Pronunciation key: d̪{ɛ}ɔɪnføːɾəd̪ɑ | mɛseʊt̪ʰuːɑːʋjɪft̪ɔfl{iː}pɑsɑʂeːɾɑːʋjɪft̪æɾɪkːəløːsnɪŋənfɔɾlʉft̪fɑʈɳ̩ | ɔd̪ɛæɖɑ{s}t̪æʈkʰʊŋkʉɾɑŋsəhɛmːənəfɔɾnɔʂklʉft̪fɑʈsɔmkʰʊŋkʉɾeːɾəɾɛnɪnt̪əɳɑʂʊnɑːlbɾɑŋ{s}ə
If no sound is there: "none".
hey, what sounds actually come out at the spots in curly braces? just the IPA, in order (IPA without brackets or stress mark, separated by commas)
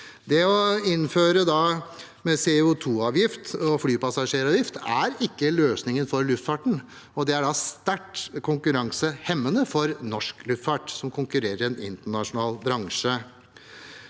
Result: ɛ, yː, s, ʂ